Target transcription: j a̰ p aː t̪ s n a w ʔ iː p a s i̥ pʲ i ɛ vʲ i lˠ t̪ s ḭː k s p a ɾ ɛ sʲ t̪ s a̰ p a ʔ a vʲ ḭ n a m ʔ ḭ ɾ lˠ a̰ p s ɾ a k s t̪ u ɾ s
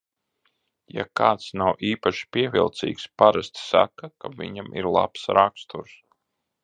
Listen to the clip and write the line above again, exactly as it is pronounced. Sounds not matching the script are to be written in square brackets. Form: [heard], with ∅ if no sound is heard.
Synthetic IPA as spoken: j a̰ [k] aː t̪ s n a w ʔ iː p a [ʃ] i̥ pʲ i ɛ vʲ i lˠ t̪ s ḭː k s p a ɾ [a] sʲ t̪ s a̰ [k] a [k] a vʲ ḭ [ɲ] a m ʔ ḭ ɾ lˠ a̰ p s ɾ a k s t̪ u ɾ s